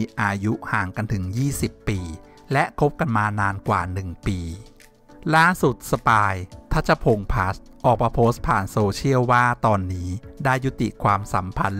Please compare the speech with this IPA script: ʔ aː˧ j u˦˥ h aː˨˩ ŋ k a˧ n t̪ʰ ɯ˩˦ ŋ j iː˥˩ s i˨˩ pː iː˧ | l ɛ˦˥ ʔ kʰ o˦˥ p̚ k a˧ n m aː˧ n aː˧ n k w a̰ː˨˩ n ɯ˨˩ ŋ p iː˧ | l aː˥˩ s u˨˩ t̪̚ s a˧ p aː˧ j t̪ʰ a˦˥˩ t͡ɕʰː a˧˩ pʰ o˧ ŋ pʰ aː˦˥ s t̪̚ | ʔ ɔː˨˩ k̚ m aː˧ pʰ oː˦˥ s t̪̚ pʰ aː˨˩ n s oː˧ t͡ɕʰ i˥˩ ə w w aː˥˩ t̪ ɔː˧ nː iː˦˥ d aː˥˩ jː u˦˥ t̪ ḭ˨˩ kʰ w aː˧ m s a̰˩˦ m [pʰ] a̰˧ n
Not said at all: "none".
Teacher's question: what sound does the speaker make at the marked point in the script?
pʰ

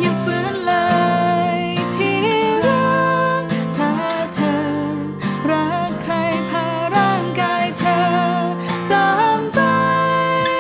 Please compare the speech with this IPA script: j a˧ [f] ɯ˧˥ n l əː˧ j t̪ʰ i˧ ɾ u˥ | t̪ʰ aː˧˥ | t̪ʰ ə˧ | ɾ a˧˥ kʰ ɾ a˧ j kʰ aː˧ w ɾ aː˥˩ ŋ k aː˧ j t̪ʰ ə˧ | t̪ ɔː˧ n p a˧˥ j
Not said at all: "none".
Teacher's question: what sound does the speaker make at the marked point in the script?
f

